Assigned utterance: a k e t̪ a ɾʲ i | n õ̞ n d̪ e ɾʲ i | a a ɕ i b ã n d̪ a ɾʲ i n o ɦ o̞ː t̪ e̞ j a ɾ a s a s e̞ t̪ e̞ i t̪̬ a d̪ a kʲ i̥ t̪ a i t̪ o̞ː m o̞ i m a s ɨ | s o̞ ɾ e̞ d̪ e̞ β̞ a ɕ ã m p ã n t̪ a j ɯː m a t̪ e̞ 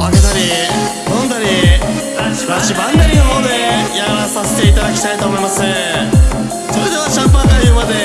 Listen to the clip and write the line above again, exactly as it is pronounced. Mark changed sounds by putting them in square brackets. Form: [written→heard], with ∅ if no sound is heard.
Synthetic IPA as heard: a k e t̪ a ɾʲ i | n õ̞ n d̪ [e→a] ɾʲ i | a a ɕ i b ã n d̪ a ɾʲ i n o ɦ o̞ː [t̪→d̪] e̞ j a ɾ a s a s e̞ t̪ e̞ i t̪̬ a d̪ a kʲ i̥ t̪ a i t̪ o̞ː m o̞ i m a s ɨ | s o̞ ɾ e̞ d̪ e̞ β̞ a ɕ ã m p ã n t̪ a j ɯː m a [t̪→d̪] e̞

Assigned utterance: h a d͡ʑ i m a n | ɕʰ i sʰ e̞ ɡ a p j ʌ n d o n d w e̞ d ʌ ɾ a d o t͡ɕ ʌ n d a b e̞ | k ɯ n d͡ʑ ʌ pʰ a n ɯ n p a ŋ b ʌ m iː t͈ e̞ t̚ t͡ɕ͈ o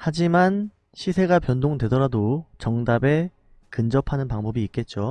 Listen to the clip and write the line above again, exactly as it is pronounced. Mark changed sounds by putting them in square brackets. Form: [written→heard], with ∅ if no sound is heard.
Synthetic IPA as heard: h a d͡ʑ i m a n | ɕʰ i sʰ e̞ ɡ a p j ʌ n d o [n→ŋ] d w e̞ d ʌ ɾ a d o t͡ɕ ʌ [n→ŋ] d a b e̞ | k ɯ n d͡ʑ ʌ pʰ a n ɯ n p a ŋ b ʌ [m→b] iː [t͈→k͈] e̞ t̚ t͡ɕ͈ o

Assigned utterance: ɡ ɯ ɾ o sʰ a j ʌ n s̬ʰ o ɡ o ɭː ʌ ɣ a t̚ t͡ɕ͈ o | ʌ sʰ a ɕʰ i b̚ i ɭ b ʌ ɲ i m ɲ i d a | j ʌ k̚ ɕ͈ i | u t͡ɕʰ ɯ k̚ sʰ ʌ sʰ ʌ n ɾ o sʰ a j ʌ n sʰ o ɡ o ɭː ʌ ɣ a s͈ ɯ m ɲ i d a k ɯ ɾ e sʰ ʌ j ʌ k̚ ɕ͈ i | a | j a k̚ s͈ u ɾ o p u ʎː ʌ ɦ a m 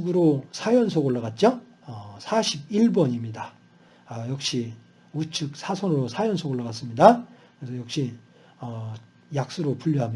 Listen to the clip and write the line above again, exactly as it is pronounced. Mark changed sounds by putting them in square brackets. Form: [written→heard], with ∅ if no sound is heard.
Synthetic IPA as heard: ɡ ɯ ɾ o sʰ a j ʌ n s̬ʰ o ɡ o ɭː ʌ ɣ a t̚ t͡ɕ͈ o | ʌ sʰ a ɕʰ i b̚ i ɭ b ʌ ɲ i m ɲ i d a | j ʌ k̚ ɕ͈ i | u t͡ɕʰ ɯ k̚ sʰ [ʌ→a] sʰ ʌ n ɾ o sʰ a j ʌ n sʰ o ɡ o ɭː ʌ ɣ a s͈ ɯ m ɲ i d a k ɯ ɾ e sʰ ʌ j ʌ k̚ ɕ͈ i | [a→ʌ] | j a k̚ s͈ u ɾ o p u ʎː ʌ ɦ a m

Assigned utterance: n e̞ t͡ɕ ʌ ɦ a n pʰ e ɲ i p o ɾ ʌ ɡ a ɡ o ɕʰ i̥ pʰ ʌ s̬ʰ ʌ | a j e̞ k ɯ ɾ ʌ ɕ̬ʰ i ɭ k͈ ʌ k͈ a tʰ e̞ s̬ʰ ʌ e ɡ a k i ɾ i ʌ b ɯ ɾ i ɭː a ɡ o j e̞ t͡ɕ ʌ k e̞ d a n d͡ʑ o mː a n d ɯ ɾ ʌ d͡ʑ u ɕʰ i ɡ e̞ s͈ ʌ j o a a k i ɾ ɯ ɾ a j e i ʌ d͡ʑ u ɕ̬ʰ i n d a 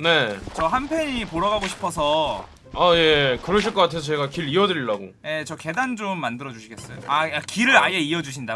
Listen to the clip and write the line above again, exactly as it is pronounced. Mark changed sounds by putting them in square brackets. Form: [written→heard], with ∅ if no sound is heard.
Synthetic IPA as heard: n e̞ t͡ɕ ʌ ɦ a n pʰ e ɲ i p o ɾ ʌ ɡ a ɡ o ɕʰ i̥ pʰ ʌ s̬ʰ ʌ | a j e̞ k ɯ ɾ ʌ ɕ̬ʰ i ɭ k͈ ʌ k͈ a tʰ e̞ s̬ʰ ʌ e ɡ a k i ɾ i ʌ [b→d] ɯ ɾ i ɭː a ɡ o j e̞ t͡ɕ ʌ k e̞ d a n d͡ʑ o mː a n d ɯ ɾ ʌ d͡ʑ u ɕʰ i ɡ e̞ s͈ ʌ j o a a k i ɾ ɯ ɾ a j e i ʌ d͡ʑ u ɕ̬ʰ i n d a

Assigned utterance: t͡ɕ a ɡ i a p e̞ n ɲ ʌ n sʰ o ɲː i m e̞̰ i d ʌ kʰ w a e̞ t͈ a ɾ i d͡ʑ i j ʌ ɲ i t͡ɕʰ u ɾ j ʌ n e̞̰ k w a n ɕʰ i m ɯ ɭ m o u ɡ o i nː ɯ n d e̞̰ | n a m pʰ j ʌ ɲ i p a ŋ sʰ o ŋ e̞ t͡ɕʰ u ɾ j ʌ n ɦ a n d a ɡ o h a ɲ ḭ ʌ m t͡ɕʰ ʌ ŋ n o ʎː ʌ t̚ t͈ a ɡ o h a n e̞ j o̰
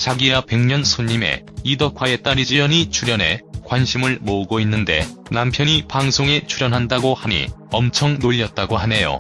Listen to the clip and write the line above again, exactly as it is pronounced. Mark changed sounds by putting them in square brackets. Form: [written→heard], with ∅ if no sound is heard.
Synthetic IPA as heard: t͡ɕ a ɡ i a p e̞ [n→ŋ] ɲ ʌ n sʰ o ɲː i m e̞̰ i d ʌ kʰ w a e̞ t͈ a ɾ i d͡ʑ i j ʌ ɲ i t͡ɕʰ u ɾ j ʌ n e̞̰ k w a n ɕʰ i m ɯ ɭ m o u ɡ o i nː ɯ n d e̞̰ | n a m pʰ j ʌ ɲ i p a ŋ sʰ o ŋ e̞ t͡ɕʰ u ɾ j ʌ n ɦ a n d a ɡ o h a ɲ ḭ ʌ m t͡ɕʰ ʌ ŋ n o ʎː ʌ t̚ t͈ a ɡ o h a n e̞ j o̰

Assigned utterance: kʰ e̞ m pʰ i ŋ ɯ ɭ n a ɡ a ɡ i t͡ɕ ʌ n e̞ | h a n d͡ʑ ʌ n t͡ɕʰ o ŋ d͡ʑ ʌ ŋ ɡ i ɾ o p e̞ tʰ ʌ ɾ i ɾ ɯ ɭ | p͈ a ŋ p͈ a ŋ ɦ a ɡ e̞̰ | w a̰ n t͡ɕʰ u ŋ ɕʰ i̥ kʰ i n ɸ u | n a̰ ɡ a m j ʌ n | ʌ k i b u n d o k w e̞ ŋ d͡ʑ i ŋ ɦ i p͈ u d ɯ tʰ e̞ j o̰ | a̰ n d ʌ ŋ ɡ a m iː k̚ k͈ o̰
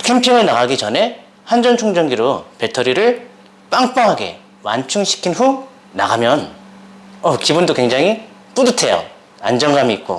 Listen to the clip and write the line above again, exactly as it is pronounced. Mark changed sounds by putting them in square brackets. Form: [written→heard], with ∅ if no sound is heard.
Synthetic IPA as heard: kʰ e̞ m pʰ i ŋ ɯ ɭ n a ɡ a ɡ i t͡ɕ ʌ n e̞ | h a n d͡ʑ ʌ n t͡ɕʰ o ŋ d͡ʑ ʌ ŋ ɡ i ɾ o p e̞ tʰ ʌ ɾ i ɾ ɯ ɭ | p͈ a ŋ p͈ a ŋ ɦ a ɡ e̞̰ | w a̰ n t͡ɕʰ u ŋ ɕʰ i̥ kʰ i n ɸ u | n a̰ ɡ a m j ʌ n | ʌ k i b u n d o k w e̞ ŋ d͡ʑ [i→a] ŋ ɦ i p͈ u d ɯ tʰ e̞ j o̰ | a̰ n [d→d͡ʑ] ʌ ŋ ɡ a m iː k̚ k͈ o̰

